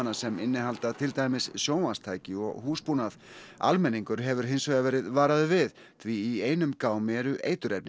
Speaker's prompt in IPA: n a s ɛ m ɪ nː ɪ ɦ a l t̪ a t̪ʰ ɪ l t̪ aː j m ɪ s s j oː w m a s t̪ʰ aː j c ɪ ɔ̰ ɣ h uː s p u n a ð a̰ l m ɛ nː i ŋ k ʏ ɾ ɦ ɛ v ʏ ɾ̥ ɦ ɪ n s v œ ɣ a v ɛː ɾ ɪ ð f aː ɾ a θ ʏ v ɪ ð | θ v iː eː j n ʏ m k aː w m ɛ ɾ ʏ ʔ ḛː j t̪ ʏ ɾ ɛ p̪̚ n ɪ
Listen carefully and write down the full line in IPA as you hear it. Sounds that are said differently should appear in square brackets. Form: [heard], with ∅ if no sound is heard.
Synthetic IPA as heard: n a s ɛ m ɪ nː ɪ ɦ a l t̪ a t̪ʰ ɪ l t̪ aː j m ɪ s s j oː w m a s t̪ʰ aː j c ɪ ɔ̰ ɣ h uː s p u n a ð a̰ l m ɛ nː i ŋ k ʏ ɾ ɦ ɛ v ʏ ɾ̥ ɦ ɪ n s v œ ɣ a v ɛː ɾ ɪ ð [v] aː ɾ a [ð] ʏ v ɪ ð | θ v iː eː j n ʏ m k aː w m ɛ ɾ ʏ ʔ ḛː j t̪ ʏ ɾ ɛ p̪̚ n ɪ